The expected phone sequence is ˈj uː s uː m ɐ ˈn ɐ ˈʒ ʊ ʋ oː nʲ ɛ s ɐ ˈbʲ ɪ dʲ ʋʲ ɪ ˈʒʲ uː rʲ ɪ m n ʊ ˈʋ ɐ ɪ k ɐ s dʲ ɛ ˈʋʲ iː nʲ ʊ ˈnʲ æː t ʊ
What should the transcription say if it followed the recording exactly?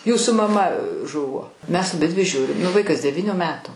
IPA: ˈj uː s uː m ɐ ˈm ɐ ˈʒ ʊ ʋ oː mʲ ɛ s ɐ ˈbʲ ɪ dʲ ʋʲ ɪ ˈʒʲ uː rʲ ɪ m n ʊ ˈʋ ɐ ɪ k ɐ s dʲ ɛ ˈʋʲ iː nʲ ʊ ˈmʲ æː t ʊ